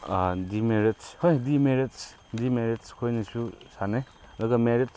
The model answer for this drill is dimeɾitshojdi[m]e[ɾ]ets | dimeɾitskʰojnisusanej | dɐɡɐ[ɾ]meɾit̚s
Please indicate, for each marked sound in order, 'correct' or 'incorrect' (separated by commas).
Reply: correct, correct, incorrect